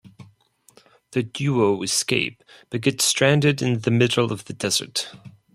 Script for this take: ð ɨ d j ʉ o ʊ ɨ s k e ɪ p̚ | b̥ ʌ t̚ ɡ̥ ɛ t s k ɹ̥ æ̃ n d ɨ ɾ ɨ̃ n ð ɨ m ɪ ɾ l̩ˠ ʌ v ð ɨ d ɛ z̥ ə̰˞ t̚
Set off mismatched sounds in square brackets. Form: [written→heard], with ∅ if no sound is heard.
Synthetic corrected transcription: ð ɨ d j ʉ o ʊ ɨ s k e ɪ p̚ | b̥ ʌ t̚ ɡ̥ ɛ t s [k→t] ɹ̥ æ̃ n d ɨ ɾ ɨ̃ n ð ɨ m ɪ ɾ l̩ˠ ʌ v ð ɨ d ɛ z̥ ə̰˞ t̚

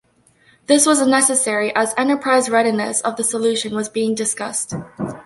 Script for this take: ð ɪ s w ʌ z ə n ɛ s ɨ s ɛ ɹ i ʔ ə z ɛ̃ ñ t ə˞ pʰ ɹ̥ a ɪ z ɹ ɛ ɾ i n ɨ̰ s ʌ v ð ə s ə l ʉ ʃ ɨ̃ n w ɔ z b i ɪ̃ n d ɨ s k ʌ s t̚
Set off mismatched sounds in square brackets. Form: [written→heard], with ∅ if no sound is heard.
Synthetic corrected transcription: ð ɪ s w ʌ z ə n ɛ s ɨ s ɛ ɹ i ʔ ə z ɛ̃ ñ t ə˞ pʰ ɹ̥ a ɪ z ɹ ɛ ɾ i n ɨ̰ s ʌ v ð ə s ə l ʉ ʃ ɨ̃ n w [ɔ→ʌ] z b i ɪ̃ [n→ŋ] d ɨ s k ʌ s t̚

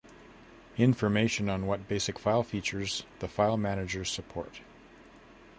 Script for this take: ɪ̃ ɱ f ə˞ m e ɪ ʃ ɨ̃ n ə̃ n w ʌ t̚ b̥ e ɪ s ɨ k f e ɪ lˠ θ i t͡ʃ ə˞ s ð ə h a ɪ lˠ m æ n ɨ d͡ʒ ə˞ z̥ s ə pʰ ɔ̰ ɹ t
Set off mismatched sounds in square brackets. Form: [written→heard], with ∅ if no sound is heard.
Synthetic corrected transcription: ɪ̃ ɱ f ə˞ m e ɪ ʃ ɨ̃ n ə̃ n w ʌ t̚ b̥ e ɪ s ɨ k f [e→a] ɪ lˠ [θ→f] i t͡ʃ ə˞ [s→z] ð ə [h→f] a ɪ lˠ m æ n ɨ d͡ʒ ə˞ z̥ s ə pʰ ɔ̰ ɹ t

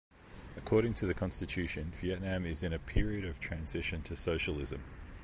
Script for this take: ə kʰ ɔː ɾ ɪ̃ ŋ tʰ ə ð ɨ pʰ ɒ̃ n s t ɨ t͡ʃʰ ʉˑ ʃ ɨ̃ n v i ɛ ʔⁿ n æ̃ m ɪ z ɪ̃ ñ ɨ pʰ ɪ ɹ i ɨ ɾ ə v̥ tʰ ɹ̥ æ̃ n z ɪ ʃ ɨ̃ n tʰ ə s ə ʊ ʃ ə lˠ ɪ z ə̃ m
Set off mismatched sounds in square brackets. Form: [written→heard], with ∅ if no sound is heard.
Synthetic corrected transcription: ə kʰ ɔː ɾ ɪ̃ ŋ tʰ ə ð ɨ [pʰ→kʰ] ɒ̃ n s t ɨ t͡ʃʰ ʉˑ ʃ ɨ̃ n v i ɛ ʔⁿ n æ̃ m ɪ z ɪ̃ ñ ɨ pʰ ɪ ɹ i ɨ ɾ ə v̥ tʰ ɹ̥ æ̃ n z ɪ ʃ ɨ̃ n tʰ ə s ə ʊ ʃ ə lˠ ɪ z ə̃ m

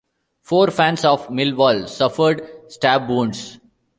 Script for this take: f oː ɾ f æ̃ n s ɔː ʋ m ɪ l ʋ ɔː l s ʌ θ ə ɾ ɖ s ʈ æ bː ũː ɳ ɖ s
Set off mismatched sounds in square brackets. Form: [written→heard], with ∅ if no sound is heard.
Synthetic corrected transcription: f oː ɾ f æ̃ n s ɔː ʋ m ɪ l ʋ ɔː l s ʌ [θ→f] ə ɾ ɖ s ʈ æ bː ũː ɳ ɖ s

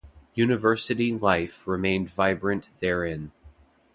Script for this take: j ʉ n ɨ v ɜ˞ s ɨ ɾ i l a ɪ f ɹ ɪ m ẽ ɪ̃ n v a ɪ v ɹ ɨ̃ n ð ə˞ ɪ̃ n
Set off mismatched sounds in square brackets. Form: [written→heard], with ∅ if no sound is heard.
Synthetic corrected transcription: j ʉ n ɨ v ɜ˞ s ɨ ɾ i l a ɪ f ɹ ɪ m ẽ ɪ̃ n v a ɪ [v→b] ɹ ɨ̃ n ð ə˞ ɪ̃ n

